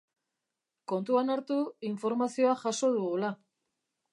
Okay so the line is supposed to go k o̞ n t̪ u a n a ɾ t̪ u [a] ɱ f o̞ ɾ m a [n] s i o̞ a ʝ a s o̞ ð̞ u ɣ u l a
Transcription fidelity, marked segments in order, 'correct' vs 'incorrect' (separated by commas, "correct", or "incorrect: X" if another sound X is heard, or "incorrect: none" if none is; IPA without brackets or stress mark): incorrect: i, incorrect: none